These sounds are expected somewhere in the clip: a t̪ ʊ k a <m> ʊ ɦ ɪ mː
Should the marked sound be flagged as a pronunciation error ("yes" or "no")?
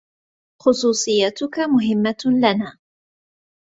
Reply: no